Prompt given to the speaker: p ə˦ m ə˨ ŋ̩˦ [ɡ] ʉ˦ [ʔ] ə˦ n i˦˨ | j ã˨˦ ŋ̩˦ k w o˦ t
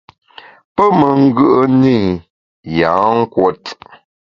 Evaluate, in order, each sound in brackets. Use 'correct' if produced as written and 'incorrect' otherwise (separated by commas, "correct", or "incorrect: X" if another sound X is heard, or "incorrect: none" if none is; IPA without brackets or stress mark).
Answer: correct, correct